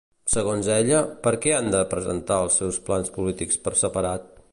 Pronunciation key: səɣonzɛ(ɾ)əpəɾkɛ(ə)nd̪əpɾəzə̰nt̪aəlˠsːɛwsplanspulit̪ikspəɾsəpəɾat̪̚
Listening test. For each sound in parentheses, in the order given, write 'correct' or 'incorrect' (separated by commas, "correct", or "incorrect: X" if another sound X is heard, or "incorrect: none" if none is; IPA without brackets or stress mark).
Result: incorrect: ʎ, incorrect: a